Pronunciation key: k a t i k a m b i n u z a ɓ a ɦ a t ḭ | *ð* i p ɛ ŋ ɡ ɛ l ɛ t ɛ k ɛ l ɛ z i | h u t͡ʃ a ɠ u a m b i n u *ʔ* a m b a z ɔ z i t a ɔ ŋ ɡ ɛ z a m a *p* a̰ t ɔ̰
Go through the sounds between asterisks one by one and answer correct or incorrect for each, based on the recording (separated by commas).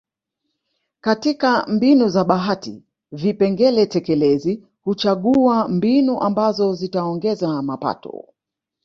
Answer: incorrect, correct, correct